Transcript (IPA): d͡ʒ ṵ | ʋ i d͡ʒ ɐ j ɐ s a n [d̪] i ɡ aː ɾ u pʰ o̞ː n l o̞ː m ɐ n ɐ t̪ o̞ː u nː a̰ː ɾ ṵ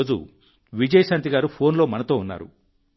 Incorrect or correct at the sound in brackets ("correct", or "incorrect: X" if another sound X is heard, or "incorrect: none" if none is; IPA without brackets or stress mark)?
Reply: incorrect: t̪